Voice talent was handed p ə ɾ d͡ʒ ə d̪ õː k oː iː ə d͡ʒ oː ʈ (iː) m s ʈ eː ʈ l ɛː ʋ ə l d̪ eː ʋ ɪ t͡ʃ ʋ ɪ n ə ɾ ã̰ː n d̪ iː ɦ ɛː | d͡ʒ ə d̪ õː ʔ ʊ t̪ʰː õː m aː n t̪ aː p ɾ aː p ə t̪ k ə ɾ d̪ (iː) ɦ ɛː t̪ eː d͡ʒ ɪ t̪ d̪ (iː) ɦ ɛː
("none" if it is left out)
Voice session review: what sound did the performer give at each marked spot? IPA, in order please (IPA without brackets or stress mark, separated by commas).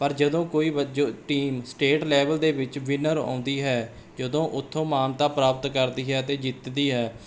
iː, iː, iː